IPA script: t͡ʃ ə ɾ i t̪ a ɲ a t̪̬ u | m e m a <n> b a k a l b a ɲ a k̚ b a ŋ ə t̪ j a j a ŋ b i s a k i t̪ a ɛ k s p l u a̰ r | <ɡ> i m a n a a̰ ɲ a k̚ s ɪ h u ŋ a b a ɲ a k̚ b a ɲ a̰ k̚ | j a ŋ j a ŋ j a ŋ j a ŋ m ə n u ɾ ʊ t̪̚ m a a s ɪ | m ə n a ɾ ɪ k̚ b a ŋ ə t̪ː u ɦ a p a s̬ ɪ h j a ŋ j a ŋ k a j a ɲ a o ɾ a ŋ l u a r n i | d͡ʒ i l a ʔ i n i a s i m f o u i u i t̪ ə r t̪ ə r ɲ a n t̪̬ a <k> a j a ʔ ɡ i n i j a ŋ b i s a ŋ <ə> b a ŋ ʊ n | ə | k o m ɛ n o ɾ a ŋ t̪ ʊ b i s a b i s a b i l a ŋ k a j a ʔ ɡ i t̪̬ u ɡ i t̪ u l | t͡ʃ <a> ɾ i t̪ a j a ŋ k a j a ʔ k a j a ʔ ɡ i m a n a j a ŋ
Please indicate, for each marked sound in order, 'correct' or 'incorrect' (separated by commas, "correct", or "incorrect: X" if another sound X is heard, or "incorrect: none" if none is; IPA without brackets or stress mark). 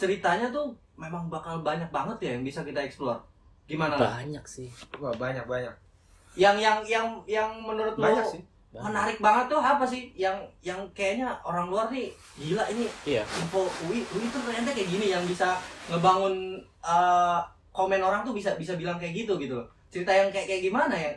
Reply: incorrect: ŋ, correct, correct, correct, incorrect: ə